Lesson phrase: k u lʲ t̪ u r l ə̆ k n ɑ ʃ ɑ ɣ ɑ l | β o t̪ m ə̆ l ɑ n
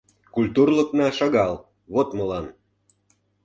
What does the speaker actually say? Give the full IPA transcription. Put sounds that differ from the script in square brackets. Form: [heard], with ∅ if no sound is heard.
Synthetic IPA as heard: k u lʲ t̪ u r l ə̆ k n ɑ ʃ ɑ ɣ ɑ l | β o t̪ m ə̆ l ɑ n

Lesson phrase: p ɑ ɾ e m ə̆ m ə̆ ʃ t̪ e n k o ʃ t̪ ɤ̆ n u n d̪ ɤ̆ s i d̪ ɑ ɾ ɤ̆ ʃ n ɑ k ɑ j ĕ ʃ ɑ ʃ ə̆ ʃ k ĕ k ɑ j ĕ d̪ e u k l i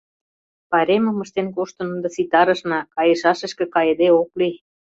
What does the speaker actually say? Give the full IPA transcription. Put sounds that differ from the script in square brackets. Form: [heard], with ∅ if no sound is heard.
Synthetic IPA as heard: p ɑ ɾ e m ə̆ m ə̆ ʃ t̪ e n k o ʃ t̪ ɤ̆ n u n d̪ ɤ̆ s i [t̪] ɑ ɾ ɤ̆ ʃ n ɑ k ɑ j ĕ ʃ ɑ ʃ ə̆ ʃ k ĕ k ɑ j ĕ d̪ e [o] k l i

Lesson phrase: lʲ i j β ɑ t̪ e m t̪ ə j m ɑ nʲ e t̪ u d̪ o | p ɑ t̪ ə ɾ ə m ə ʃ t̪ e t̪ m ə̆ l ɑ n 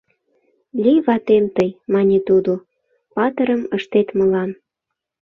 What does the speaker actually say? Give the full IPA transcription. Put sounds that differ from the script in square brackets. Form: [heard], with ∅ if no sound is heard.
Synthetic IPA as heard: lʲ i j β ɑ t̪ e m t̪ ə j m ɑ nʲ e t̪ u d̪ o | p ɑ t̪ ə ɾ ə m ə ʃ t̪ e t̪ m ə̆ l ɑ n

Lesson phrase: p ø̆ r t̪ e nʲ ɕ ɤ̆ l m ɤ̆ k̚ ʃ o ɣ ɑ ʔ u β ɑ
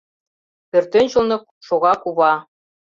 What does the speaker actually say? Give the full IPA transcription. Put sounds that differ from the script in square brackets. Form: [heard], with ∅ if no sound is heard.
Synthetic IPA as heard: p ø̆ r t̪ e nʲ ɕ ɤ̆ l [n] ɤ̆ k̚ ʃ o ɣ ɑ [k] u β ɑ

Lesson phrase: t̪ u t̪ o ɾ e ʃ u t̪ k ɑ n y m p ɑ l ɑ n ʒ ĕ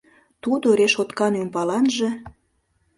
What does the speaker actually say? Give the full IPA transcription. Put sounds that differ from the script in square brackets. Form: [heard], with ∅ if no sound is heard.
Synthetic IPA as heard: t̪ u [d̪] o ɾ e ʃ [o] t̪ k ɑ n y m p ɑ l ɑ n ʒ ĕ

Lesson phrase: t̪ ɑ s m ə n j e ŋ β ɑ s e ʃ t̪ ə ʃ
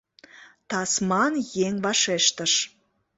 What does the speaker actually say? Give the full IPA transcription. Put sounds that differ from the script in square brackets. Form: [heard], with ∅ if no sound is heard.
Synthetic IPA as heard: t̪ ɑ s m [ɑ] n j e ŋ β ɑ [ʃ] e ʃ t̪ ə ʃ

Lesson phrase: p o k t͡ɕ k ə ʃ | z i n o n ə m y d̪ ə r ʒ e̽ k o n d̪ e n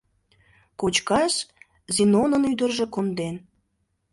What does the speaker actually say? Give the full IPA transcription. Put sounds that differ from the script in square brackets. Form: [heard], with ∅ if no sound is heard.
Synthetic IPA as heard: [k] o [∅] t͡ɕ k [ɑ] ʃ | z i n o n ə [n] y d̪ ə r ʒ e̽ k o n d̪ e n

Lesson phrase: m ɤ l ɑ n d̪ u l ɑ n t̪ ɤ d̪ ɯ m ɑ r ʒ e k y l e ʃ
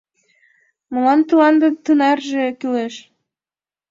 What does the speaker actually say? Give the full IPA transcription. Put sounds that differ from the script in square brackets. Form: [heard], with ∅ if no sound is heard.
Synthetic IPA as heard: m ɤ l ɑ n [t̪] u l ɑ n [d̪] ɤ [t̪] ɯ [n] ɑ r ʒ e k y l e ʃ

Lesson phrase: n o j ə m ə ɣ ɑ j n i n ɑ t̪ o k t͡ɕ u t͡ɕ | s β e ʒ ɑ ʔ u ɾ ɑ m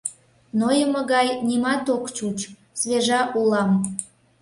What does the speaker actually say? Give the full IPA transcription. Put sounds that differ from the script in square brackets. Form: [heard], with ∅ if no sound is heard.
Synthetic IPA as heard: n o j ə m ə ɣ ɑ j n i [m] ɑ t̪ o k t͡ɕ u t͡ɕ | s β e ʒ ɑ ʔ u [l] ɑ m

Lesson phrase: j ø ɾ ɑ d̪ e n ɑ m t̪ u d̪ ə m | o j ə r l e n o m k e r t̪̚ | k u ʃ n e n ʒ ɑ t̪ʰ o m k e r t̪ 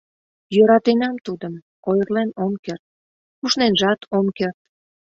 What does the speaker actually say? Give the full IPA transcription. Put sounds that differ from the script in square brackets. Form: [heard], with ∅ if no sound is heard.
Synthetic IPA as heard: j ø ɾ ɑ [t̪] e n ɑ m t̪ u d̪ ə m | o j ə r l e n o m k e r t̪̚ | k u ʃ n e n ʒ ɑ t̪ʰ o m k e r t̪

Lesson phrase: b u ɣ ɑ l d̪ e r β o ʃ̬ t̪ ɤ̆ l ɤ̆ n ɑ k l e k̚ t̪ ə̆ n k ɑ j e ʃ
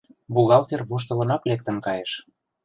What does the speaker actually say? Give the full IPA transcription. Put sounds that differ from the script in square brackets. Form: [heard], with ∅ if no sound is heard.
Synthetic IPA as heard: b u ɣ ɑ l [t̪] e r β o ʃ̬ t̪ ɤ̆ l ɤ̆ n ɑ k l e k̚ t̪ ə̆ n k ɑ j e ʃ

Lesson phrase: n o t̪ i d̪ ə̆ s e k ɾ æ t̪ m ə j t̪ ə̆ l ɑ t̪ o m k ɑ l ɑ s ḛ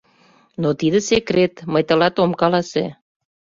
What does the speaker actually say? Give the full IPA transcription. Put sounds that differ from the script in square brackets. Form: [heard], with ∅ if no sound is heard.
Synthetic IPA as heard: n o t̪ i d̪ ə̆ s e k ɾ [e] t̪ m ə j t̪ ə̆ l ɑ t̪ o m k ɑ l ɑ s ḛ

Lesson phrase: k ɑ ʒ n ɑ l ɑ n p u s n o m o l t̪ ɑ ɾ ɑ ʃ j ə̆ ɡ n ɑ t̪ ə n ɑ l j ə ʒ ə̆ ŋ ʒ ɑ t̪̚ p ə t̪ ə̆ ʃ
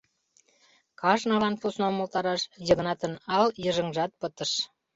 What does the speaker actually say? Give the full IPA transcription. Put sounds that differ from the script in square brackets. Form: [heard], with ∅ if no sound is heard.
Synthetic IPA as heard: k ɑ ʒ n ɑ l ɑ n p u s n o m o l t̪ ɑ ɾ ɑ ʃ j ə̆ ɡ n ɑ t̪ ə n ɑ l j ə ʒ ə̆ ŋ ʒ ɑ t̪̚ p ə t̪ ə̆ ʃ

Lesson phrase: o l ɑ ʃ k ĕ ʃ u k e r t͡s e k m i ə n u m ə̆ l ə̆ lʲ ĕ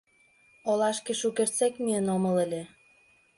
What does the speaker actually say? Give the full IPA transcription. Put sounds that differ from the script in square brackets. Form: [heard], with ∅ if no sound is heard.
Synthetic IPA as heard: o l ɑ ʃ k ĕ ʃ u k e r t͡s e k m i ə n [o] m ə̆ l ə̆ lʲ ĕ

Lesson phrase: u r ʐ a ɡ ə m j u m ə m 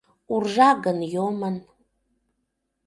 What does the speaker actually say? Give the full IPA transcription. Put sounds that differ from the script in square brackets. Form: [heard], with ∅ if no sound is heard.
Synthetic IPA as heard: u r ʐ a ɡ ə [n] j [o] m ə [n]

